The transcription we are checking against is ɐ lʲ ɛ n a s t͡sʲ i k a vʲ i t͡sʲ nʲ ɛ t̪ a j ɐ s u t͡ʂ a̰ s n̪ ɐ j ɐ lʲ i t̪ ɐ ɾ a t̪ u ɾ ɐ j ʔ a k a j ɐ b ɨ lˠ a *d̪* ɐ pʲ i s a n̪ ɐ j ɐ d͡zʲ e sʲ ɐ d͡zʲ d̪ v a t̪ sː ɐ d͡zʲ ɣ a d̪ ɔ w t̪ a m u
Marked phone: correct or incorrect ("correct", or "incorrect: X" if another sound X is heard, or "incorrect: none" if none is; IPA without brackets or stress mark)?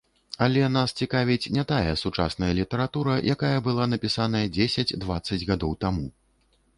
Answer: incorrect: n̪